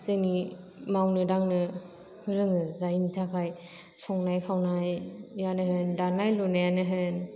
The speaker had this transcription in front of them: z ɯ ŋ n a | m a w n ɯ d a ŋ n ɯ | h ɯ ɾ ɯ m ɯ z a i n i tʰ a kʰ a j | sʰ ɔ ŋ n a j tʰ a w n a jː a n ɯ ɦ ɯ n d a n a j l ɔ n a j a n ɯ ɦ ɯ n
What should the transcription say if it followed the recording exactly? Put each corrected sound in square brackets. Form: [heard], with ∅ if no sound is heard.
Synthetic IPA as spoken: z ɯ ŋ n [i] | m a w n ɯ d a ŋ n ɯ | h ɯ ɾ ɯ [ŋ] ɯ z a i n i tʰ a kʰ a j | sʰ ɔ ŋ n a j [kʰ] a w n a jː a n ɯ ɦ ɯ n d a n a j l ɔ n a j a n ɯ ɦ ɯ n